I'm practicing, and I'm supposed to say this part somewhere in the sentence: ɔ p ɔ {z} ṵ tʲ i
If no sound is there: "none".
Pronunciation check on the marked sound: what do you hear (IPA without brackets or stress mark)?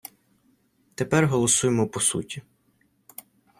s